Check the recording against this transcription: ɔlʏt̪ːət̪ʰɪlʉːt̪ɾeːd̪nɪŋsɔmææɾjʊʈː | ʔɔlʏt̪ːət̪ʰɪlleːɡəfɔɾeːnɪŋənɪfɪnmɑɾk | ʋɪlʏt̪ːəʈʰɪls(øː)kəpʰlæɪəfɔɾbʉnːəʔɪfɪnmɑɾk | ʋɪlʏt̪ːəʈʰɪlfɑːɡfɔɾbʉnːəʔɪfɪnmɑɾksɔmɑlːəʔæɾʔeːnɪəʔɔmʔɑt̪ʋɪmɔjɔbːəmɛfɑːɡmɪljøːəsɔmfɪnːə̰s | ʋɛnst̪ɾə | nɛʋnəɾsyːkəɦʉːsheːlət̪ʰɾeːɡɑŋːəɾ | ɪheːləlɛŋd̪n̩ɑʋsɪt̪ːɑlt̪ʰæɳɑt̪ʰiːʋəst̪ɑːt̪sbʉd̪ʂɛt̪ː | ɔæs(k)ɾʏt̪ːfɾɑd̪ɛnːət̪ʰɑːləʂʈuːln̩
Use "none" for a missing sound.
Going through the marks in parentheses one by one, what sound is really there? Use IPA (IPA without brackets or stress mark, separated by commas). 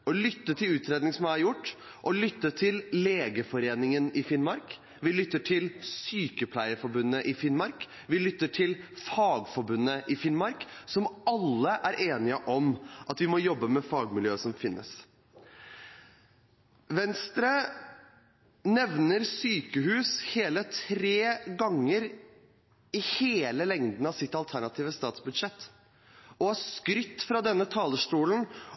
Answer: yː, k